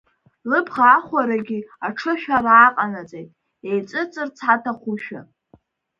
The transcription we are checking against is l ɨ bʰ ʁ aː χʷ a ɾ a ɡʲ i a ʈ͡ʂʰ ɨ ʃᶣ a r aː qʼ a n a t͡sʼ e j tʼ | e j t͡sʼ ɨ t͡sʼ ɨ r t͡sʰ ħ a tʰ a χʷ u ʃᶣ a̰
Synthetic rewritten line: l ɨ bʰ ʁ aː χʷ a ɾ a ɡʲ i a ʈ͡ʂʰ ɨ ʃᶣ a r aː qʼ a n a t͡sʼ e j tʼ | e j t͡sʼ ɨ t͡sʼ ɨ r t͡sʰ ħ a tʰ a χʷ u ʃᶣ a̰